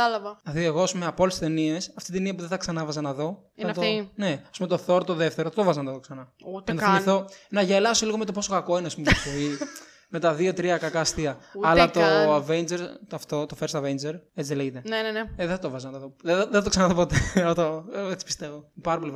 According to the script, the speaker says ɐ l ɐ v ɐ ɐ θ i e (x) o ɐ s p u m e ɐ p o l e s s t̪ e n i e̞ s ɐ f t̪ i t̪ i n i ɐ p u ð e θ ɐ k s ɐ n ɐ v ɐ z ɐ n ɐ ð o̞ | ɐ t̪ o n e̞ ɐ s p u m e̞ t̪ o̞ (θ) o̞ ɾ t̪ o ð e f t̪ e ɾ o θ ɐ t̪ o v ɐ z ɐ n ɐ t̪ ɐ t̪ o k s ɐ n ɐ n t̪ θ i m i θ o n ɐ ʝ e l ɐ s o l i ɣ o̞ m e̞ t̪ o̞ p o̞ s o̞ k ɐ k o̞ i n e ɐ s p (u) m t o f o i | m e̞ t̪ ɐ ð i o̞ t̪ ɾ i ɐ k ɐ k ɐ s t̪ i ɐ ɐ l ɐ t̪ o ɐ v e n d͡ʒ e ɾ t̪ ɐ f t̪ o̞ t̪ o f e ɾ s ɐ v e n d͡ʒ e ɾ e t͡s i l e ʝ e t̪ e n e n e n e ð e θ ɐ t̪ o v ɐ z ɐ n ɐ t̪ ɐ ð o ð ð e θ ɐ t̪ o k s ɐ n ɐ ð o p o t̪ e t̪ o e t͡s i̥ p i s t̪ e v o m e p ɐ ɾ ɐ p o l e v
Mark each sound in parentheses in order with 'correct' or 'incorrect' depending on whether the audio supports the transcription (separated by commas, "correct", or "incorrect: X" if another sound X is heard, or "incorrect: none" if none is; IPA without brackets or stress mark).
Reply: incorrect: ɣ, correct, correct